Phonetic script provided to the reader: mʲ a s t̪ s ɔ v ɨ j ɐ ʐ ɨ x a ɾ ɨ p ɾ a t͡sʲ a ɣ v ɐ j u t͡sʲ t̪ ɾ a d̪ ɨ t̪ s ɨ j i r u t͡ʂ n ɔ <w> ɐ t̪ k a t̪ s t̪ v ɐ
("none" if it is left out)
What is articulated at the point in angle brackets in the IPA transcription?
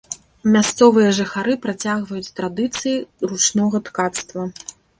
ɣ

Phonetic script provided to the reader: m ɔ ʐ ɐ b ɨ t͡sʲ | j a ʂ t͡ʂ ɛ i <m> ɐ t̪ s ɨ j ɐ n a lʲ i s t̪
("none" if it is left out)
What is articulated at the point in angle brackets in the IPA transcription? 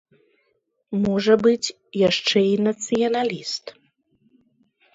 n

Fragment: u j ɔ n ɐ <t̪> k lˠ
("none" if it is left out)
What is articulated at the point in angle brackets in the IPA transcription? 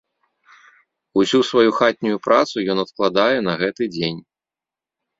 t̪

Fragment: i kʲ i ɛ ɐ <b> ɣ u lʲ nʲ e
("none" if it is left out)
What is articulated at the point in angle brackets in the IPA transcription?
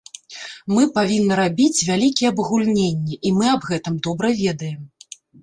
b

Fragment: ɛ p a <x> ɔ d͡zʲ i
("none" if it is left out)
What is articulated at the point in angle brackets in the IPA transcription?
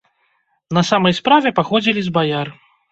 x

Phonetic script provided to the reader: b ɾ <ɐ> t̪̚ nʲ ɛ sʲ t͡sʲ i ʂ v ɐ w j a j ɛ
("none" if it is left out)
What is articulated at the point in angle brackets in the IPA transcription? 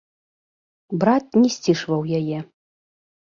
a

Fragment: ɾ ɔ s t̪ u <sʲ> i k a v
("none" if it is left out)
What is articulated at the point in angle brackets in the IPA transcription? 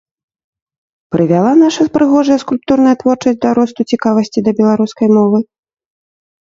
t͡sʲ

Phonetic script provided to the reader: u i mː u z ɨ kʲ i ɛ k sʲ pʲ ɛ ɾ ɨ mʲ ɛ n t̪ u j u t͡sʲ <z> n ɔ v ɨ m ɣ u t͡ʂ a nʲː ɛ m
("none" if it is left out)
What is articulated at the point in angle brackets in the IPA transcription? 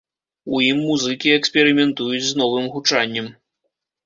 z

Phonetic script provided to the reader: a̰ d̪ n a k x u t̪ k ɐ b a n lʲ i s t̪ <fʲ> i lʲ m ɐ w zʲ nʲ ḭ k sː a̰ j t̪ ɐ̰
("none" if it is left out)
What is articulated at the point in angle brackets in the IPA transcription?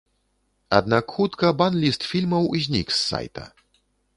fʲ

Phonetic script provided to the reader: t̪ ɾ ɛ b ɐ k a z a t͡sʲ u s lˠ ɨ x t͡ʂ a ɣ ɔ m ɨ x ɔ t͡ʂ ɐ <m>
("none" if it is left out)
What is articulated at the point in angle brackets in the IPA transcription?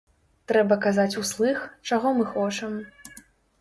m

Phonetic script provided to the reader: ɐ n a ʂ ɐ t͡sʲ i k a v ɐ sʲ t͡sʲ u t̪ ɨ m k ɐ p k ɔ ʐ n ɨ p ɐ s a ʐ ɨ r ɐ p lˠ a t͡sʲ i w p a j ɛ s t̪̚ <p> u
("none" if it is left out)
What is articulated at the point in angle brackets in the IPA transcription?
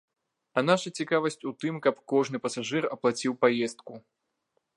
k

